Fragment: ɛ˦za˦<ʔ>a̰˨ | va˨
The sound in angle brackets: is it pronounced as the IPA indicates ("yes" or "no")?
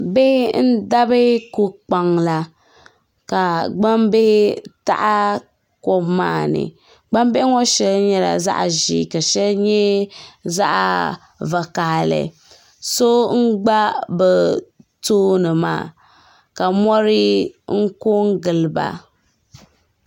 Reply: yes